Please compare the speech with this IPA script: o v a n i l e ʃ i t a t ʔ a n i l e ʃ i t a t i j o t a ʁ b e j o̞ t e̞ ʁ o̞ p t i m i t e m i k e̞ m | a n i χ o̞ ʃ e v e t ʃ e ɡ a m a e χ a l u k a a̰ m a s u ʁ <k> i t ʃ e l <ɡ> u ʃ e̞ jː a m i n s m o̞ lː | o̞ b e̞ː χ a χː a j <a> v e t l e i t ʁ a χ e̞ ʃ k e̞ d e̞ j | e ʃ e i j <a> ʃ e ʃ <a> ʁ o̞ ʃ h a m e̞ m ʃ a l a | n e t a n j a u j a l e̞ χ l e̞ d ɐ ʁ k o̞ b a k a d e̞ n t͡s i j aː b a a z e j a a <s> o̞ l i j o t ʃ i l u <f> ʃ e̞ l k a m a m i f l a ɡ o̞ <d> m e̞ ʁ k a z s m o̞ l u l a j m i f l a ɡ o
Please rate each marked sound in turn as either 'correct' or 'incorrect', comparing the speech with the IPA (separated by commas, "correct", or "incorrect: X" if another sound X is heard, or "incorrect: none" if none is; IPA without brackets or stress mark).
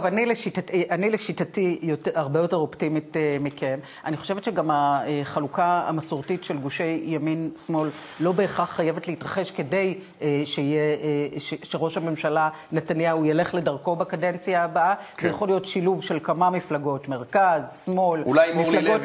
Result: incorrect: t, correct, incorrect: e, incorrect: e, incorrect: e, incorrect: χ, incorrect: v, incorrect: t